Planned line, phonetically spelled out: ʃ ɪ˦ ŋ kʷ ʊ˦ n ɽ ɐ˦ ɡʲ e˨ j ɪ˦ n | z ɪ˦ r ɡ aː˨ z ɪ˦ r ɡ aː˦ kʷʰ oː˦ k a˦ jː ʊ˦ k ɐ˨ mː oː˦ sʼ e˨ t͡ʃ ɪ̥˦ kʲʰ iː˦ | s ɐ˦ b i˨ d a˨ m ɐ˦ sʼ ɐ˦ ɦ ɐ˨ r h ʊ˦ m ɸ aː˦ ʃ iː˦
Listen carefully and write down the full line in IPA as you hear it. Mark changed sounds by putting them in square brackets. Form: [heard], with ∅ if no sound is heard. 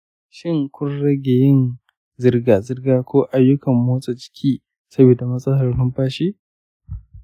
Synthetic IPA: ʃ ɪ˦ ŋ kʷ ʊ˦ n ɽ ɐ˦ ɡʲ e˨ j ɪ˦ n | z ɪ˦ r ɡ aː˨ z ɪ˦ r ɡ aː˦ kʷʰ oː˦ [ʔ] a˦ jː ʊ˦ k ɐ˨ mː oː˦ sʼ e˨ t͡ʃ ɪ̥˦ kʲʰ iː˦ | s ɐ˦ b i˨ d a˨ m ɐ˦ sʼ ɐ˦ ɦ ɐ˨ r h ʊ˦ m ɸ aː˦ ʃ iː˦